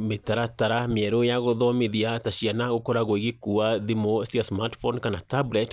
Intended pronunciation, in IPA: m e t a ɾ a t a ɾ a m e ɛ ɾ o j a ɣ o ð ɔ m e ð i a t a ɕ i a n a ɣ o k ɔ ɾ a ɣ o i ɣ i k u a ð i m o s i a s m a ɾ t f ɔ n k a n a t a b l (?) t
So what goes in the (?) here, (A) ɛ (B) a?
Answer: A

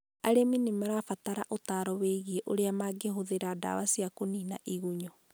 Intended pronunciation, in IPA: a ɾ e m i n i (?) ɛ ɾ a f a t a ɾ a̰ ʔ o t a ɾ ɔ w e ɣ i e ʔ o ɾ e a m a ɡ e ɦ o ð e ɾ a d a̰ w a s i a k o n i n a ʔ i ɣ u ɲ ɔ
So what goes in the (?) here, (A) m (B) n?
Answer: A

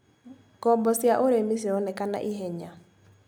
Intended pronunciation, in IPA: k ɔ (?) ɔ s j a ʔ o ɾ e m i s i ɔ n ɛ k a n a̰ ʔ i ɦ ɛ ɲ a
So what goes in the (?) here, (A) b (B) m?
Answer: A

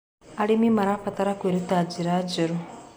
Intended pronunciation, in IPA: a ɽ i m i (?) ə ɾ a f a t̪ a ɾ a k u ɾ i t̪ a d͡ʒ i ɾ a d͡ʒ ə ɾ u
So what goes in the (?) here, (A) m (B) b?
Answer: A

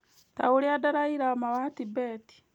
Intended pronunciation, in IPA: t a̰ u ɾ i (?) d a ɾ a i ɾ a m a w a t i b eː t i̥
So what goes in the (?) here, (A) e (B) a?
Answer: B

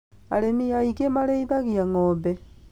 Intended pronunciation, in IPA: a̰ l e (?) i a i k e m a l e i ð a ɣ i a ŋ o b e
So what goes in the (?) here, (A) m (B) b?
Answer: A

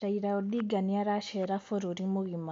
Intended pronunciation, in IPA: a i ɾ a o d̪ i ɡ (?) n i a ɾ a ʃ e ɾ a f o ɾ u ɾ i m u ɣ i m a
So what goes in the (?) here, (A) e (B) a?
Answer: B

